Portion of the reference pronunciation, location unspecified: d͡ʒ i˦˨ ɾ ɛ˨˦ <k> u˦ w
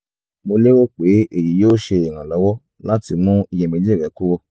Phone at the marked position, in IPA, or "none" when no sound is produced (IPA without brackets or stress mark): k